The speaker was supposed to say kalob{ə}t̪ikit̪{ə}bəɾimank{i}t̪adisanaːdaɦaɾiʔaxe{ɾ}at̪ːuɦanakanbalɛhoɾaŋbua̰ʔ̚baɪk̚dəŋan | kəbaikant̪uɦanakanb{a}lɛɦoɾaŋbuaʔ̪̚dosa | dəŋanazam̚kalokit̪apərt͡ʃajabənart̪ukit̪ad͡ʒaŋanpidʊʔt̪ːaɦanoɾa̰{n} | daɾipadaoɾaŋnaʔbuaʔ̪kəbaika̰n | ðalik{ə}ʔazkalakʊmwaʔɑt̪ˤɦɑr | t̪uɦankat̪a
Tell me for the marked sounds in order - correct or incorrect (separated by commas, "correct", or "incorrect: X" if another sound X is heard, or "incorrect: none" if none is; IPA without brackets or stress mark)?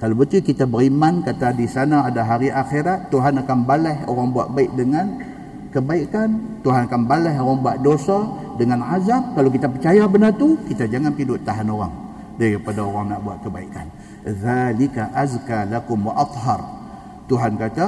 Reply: correct, incorrect: a, incorrect: a, correct, correct, incorrect: ŋ, incorrect: a